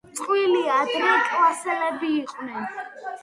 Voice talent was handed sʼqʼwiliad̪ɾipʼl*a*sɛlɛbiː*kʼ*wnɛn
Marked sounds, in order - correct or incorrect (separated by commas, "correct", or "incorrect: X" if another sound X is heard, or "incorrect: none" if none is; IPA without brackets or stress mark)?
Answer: correct, incorrect: qʼ